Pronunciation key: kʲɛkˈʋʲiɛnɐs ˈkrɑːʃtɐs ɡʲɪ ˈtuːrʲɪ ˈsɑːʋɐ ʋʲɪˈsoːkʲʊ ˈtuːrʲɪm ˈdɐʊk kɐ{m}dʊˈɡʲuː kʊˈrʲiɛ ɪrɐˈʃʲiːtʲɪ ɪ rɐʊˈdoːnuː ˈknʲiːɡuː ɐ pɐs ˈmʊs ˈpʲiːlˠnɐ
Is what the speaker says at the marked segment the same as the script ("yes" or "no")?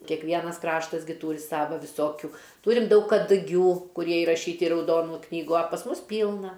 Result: no